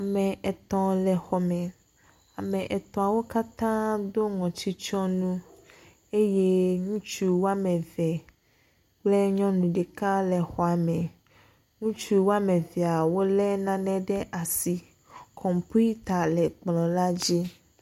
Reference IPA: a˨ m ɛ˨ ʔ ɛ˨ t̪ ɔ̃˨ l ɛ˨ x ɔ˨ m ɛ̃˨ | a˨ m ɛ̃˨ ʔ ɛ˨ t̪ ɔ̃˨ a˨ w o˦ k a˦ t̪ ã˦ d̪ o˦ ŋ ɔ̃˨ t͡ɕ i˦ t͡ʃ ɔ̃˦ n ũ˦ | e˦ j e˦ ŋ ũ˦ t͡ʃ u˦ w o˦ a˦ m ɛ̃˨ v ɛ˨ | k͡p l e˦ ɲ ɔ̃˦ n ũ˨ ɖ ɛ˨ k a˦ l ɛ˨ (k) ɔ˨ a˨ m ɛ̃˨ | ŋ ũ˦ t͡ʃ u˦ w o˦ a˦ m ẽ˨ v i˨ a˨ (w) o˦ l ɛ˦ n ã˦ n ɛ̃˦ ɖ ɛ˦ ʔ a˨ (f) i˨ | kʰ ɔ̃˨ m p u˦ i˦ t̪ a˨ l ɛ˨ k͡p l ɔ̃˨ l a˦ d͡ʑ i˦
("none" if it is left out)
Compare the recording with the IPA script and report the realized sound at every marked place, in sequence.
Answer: x, w, s

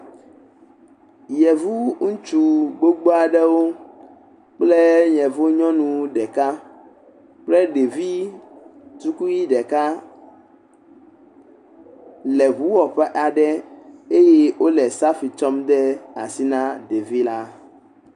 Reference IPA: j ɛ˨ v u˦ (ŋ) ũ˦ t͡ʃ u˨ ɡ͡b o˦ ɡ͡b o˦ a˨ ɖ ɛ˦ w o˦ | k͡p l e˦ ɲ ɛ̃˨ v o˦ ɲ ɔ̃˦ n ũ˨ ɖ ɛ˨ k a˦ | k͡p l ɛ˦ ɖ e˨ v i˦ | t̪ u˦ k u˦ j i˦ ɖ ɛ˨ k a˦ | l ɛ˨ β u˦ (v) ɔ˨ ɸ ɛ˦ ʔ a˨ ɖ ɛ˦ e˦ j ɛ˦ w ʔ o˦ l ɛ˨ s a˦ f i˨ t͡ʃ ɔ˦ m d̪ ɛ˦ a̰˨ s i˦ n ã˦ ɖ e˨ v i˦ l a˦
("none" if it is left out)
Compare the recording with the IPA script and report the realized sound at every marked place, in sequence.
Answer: ŋ, w

